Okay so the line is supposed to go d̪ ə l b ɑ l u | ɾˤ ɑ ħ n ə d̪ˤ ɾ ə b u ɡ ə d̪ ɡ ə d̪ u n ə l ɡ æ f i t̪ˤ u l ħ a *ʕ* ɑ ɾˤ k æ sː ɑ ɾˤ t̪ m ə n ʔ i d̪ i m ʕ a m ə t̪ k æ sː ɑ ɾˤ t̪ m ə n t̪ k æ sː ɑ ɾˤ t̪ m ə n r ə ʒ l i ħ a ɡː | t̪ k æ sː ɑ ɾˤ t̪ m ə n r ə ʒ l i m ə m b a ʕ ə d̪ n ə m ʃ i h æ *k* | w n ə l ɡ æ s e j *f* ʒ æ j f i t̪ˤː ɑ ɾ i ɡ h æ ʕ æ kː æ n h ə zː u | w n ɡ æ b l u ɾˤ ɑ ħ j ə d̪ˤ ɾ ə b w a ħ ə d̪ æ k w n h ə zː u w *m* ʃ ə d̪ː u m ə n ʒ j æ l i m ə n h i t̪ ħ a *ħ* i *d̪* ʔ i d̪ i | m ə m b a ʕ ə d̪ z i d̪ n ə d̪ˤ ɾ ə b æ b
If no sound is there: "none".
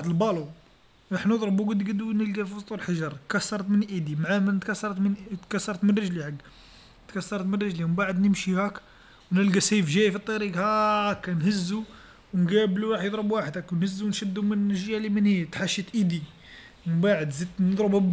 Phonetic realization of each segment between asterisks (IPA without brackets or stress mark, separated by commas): ʒ, k, f, n, ʃ, t̪